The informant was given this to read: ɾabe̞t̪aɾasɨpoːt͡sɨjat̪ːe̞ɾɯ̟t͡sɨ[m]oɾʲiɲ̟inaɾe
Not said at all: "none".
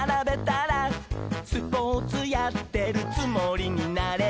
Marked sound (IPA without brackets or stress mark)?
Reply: m